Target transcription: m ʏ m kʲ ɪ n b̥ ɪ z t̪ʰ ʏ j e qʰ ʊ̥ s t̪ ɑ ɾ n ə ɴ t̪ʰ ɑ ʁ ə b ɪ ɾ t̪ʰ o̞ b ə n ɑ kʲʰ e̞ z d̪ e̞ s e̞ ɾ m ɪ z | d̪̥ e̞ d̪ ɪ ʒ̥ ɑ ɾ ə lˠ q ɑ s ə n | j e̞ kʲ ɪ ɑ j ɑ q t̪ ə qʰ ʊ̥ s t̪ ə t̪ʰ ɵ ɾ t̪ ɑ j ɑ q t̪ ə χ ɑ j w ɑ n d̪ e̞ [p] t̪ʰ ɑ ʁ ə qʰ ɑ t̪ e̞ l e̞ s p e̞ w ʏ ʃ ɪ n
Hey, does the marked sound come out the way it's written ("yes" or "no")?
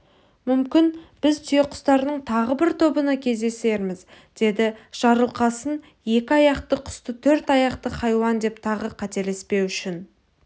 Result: yes